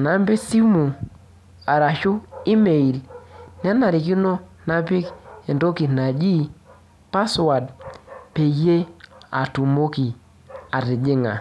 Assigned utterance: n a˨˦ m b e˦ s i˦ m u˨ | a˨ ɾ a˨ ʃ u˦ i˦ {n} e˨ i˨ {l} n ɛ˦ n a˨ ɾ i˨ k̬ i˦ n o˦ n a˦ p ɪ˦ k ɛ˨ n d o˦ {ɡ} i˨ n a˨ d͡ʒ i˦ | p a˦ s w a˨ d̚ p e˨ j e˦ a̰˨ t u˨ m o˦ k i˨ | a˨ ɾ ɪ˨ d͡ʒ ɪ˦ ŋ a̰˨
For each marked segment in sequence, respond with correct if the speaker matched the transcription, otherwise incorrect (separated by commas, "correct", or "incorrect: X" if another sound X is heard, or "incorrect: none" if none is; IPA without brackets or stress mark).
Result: incorrect: m, correct, incorrect: k